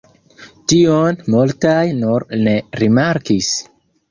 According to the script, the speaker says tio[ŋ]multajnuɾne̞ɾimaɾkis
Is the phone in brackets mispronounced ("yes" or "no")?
yes